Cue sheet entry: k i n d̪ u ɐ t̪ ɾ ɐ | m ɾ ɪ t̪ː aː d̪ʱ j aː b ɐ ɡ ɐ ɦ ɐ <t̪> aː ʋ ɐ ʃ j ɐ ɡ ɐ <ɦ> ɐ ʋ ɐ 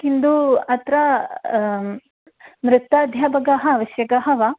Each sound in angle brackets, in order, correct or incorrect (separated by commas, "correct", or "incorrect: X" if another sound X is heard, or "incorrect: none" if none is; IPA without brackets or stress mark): incorrect: none, correct